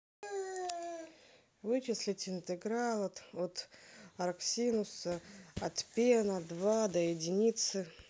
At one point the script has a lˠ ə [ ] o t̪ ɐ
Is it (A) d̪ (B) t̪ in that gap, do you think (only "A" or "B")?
B